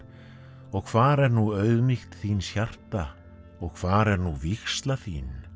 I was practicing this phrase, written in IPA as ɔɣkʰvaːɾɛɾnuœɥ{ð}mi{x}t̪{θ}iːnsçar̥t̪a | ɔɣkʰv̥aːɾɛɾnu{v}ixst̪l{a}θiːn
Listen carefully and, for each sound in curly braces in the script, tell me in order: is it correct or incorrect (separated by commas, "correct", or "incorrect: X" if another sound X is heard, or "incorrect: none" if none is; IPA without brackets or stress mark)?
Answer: correct, correct, correct, correct, correct